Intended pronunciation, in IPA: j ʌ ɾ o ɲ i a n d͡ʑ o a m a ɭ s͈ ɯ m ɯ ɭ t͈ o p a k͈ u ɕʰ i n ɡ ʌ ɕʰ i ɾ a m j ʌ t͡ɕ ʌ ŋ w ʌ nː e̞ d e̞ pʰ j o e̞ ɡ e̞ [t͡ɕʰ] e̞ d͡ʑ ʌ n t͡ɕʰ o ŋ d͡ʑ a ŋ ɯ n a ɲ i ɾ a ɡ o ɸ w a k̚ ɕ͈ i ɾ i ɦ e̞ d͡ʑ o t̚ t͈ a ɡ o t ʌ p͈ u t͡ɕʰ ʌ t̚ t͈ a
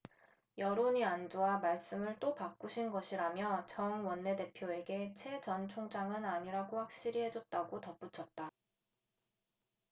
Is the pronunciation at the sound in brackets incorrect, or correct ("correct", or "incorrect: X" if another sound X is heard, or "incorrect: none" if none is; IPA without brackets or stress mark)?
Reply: correct